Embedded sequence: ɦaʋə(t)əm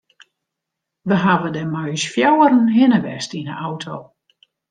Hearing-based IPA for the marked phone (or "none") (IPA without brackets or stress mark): d